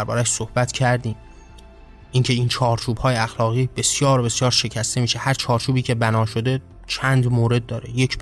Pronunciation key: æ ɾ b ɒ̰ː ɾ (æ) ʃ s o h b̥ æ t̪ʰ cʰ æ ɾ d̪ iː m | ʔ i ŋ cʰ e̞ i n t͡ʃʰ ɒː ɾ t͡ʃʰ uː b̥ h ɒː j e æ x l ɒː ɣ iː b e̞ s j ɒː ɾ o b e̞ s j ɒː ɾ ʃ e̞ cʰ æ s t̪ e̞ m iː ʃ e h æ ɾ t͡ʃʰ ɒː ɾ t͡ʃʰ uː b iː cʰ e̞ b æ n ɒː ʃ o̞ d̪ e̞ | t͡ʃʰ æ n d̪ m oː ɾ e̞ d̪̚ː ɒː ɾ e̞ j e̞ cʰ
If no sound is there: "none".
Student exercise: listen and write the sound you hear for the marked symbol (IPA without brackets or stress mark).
æ